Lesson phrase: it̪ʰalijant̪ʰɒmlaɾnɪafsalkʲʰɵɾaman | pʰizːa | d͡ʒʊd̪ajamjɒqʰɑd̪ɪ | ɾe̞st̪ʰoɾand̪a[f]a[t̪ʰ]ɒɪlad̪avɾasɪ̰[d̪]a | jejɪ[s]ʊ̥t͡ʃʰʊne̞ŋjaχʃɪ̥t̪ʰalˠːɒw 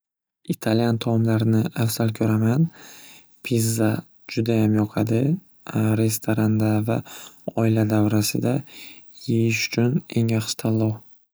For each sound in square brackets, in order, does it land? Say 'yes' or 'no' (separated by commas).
no, no, yes, no